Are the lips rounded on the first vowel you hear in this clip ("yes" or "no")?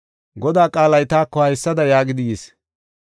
yes